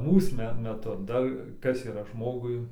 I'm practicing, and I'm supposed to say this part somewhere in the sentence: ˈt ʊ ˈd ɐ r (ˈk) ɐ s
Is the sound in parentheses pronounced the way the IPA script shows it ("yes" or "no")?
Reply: yes